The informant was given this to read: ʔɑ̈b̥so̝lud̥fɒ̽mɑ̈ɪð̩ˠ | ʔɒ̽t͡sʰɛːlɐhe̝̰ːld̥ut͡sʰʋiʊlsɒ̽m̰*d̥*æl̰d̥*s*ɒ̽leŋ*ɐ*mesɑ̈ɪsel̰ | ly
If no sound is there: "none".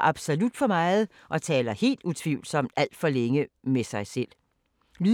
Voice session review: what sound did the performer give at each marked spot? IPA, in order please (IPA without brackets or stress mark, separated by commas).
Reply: d̥, f, ə